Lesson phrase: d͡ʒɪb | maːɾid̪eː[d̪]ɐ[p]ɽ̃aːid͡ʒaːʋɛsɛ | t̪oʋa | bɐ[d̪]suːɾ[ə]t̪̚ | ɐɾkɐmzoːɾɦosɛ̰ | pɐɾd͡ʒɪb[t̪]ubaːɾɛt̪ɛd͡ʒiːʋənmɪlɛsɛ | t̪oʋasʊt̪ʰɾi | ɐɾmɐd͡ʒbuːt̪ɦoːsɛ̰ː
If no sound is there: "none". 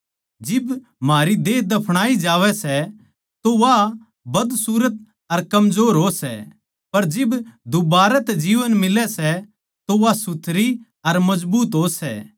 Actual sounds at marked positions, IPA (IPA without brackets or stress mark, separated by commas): d̪, pʰ, d̪, ə, d̪